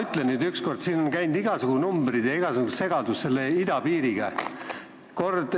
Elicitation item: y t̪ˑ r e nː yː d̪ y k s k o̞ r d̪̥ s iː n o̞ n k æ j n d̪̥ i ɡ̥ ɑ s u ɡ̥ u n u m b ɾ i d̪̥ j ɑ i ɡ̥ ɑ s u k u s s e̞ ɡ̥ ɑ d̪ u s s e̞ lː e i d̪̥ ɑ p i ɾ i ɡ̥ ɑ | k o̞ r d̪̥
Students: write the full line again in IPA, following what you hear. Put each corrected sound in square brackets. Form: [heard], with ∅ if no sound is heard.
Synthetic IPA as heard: y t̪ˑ [l] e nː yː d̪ y k s k o̞ r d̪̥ s iː n o̞ n k æ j n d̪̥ i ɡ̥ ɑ s u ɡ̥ u n u m b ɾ i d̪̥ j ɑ i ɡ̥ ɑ s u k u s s e̞ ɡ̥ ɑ d̪ u s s e̞ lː e i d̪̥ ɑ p [iː] ɾ i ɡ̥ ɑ | k o̞ r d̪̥